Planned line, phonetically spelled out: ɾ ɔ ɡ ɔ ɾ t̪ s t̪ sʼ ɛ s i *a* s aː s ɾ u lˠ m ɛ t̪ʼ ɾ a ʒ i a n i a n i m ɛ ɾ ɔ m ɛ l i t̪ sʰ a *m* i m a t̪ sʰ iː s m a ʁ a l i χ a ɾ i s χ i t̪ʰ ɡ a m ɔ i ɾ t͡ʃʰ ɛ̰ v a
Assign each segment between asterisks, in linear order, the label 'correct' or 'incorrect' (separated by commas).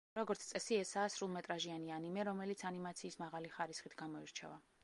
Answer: incorrect, incorrect